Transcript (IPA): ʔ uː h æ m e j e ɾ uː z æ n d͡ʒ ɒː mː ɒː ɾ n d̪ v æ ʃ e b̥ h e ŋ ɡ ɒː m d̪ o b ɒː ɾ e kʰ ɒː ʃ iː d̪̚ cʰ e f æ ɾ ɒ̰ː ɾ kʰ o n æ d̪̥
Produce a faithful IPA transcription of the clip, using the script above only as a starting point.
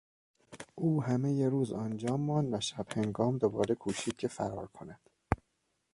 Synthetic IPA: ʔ uː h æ m e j e ɾ uː z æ n d͡ʒ ɒː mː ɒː n d̪ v æ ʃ æ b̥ h e ŋ ɡ ɒː m d̪ o b ɒː ɾ e kʰ uː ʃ iː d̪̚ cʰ e f æ ɾ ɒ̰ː ɾ kʰ o n æ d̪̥